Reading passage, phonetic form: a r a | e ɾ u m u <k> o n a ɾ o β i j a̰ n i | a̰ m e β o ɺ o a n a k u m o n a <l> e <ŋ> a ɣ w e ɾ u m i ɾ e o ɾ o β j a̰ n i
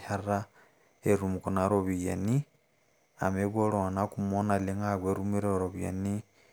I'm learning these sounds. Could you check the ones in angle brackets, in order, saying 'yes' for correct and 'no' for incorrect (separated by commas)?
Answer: yes, yes, yes